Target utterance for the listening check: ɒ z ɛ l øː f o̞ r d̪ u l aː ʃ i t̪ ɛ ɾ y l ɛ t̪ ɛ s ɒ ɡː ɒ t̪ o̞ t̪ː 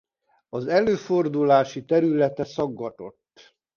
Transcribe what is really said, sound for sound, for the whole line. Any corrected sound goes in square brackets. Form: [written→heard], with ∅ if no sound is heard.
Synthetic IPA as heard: ɒ z ɛ l øː f o̞ r d̪ u l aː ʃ i t̪ ɛ ɾ y l ɛ t̪ ɛ s ɒ ɡː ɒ t̪ o̞ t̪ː